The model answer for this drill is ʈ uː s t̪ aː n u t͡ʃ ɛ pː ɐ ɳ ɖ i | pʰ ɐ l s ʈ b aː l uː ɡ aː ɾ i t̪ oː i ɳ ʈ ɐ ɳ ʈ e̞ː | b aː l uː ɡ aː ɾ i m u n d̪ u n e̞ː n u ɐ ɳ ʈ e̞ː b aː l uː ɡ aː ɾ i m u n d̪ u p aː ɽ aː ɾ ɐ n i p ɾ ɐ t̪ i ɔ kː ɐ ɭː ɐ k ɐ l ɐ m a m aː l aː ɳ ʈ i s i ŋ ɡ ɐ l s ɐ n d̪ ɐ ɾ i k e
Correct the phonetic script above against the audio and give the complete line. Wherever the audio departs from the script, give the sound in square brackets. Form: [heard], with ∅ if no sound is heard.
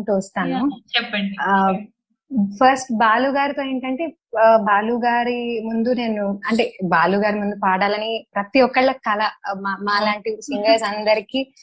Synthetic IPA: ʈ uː s t̪ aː n u t͡ʃ ɛ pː ɐ ɳ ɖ i | pʰ ɐ [ɾ] s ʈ b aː l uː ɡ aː ɾ i t̪ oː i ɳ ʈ ɐ ɳ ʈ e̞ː | b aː l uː ɡ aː ɾ i m u n d̪ u n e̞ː n u ɐ ɳ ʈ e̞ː b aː l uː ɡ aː ɾ i m u n d̪ u p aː ɽ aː [l] ɐ n i p ɾ ɐ t̪ i ɔ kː ɐ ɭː ɐ k ɐ l ɐ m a m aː l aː ɳ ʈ i s i ŋ ɡ ɐ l s ɐ n d̪ ɐ ɾ i k [i]